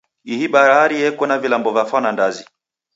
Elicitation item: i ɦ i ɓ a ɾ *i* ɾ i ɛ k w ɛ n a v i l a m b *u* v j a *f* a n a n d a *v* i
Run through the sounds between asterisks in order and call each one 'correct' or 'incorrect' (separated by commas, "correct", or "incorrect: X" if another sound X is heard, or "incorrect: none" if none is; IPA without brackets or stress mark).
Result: incorrect: a, incorrect: ɔ, correct, incorrect: z